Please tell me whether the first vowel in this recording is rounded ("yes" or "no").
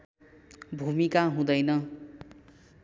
yes